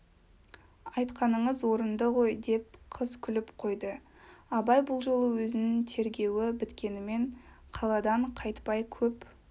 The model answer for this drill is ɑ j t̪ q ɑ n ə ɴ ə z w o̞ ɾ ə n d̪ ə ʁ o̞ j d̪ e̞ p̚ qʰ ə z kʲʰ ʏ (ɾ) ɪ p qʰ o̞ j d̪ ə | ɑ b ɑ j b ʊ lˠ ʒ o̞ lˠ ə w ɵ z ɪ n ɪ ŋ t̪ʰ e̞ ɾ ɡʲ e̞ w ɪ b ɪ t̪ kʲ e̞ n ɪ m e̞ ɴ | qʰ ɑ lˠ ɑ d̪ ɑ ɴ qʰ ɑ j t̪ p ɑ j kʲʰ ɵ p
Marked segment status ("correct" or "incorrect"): incorrect